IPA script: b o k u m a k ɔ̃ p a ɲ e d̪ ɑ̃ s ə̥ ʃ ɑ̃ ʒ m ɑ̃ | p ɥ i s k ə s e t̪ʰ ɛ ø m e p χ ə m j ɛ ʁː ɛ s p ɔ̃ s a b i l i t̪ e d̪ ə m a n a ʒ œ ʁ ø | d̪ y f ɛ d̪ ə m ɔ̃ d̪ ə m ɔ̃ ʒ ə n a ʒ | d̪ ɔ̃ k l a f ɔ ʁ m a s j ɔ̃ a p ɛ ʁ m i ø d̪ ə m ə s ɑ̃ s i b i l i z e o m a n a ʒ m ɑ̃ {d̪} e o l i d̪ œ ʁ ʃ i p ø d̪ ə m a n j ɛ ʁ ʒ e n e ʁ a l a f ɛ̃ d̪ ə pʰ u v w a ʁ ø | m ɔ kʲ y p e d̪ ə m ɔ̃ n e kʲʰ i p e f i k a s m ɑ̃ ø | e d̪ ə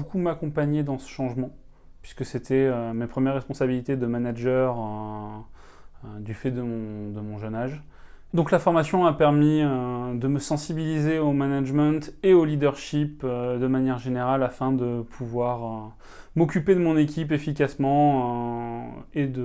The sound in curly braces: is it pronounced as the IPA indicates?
no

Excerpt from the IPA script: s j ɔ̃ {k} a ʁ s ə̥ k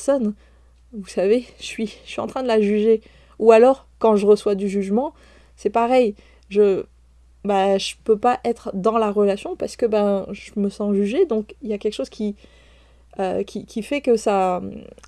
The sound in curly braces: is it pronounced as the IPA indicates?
no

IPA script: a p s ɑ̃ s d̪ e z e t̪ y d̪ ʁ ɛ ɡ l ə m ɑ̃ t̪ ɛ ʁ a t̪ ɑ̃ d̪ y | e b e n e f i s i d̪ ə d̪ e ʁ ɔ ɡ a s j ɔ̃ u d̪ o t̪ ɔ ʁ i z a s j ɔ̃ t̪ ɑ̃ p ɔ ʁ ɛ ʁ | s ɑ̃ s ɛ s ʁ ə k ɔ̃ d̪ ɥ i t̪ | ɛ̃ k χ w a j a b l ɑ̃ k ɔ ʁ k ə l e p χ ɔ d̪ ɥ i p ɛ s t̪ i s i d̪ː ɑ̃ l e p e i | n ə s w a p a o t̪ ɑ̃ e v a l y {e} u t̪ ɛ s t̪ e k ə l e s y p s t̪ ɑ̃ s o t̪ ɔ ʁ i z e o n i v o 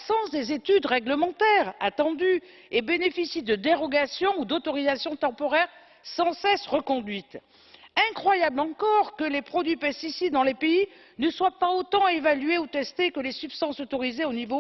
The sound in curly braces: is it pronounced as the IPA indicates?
yes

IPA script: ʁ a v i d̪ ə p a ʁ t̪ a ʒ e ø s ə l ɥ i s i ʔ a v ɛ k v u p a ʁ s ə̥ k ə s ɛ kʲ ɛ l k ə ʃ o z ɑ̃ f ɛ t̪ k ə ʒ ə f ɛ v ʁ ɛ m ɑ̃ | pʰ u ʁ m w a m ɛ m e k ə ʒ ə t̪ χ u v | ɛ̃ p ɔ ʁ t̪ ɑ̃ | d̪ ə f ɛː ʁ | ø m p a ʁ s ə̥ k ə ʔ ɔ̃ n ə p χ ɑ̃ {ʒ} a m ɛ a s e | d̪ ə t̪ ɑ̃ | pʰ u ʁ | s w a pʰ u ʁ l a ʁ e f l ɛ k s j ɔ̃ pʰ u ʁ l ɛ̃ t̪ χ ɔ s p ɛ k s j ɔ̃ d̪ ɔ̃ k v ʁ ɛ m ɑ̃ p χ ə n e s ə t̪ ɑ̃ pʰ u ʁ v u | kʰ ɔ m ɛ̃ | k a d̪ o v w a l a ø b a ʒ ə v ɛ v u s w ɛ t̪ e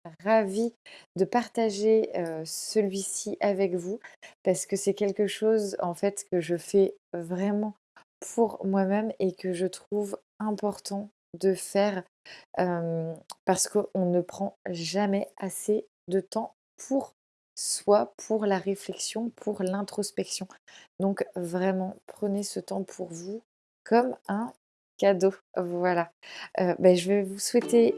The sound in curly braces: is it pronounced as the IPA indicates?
yes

